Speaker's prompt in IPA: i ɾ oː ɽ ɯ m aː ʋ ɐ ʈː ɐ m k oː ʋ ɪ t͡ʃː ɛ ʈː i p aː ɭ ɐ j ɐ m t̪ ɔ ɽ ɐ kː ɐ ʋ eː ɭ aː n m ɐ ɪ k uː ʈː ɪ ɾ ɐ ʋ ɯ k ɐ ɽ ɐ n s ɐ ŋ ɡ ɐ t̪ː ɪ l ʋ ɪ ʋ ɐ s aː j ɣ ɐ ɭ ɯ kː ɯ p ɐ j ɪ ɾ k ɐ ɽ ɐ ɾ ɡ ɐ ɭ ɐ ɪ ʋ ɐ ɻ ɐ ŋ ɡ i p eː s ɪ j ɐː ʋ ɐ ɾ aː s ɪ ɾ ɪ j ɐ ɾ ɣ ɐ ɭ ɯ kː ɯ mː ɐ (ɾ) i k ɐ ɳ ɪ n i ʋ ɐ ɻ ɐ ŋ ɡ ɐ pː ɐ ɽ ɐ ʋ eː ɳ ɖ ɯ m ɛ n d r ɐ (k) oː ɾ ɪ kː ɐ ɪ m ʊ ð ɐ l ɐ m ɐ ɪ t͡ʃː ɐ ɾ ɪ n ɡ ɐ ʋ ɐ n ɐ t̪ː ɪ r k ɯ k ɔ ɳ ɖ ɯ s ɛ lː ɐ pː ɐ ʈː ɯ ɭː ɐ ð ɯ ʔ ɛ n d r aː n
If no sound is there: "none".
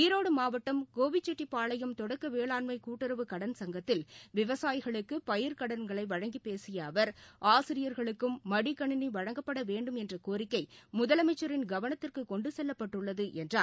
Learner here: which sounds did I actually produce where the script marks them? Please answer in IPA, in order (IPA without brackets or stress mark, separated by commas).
ɽ, k